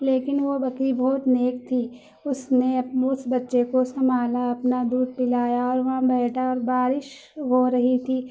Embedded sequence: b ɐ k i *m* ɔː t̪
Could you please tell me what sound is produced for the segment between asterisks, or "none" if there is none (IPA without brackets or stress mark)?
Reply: b